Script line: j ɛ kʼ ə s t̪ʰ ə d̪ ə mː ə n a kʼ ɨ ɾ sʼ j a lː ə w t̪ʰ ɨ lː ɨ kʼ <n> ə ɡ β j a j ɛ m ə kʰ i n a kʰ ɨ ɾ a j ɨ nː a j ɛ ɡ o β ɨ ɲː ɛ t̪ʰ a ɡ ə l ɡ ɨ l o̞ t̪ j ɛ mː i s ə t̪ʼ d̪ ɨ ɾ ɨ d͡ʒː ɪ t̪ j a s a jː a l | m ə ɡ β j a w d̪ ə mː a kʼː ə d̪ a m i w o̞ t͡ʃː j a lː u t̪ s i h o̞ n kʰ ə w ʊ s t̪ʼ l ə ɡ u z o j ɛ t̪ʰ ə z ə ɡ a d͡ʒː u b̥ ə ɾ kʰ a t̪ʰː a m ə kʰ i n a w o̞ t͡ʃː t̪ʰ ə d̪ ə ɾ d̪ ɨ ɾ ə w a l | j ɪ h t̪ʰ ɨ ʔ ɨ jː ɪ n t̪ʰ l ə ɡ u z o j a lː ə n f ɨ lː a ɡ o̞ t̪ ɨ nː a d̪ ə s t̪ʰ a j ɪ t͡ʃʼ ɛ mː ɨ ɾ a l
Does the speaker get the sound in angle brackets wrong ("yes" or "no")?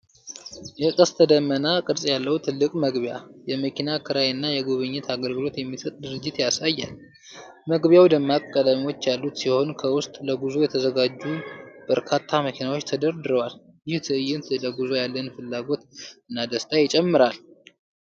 yes